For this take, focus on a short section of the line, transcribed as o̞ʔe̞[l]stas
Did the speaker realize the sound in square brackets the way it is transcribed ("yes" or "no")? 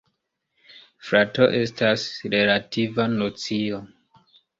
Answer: no